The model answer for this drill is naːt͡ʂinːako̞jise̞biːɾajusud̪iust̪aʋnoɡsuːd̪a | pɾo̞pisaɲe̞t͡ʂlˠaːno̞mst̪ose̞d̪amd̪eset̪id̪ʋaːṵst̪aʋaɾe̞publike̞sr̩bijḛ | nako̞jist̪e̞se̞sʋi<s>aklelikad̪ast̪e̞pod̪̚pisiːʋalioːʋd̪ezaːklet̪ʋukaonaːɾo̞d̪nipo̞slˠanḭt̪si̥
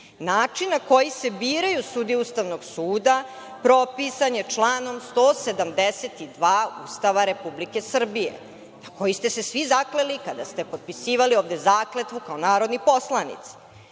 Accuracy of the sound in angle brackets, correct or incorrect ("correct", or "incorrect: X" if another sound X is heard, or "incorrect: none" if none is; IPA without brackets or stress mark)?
incorrect: z